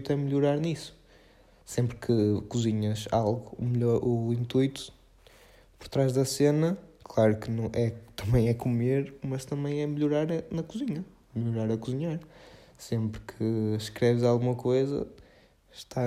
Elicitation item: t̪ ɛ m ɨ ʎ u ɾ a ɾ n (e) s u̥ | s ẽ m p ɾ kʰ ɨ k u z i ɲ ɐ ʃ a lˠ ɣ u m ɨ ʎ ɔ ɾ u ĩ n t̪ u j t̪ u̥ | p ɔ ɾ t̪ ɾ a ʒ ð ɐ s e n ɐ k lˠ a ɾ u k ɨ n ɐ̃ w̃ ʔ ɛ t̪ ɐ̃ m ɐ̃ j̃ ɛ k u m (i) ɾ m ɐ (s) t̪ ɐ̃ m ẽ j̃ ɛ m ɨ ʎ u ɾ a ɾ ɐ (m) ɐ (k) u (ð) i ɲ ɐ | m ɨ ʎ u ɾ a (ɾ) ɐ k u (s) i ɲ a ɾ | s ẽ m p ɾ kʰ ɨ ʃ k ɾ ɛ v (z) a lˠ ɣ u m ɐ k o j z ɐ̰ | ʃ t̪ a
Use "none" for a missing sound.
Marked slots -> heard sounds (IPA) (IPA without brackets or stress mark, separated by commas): i, e, ʃ, n, k, z, ɾ, z, z